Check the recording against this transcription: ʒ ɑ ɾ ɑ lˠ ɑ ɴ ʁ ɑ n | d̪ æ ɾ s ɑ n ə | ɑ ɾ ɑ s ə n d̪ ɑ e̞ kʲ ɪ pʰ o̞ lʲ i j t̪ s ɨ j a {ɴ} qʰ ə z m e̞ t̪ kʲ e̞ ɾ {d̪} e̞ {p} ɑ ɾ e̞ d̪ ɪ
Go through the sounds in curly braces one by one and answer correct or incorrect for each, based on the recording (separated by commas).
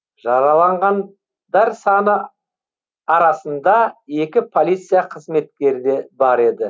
incorrect, correct, incorrect